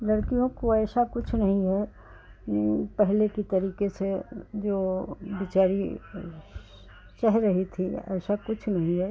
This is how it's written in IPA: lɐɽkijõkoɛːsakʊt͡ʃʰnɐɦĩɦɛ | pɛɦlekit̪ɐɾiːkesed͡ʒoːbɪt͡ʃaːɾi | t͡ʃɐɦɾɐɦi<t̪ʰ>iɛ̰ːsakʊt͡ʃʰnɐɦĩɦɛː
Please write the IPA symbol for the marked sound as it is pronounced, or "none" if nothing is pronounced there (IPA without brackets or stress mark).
t̪ʰ